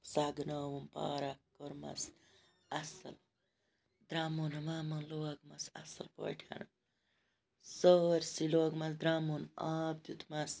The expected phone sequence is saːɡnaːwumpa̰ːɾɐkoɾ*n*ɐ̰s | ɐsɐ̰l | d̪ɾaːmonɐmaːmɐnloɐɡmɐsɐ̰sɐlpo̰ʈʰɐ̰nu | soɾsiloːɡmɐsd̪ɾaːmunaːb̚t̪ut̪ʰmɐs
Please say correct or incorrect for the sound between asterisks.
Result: incorrect